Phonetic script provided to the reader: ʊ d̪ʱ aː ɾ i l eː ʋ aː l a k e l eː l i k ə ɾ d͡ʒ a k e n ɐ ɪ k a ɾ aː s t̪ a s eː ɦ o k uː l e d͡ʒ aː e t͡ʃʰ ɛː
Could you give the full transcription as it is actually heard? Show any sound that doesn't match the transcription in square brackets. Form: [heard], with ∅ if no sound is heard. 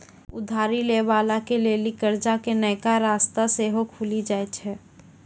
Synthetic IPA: ʊ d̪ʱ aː ɾ i l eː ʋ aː l a k e l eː l i k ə ɾ d͡ʒ a k e n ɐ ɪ k a ɾ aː s t̪ a s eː ɦ o [kʰ] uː l [i] d͡ʒ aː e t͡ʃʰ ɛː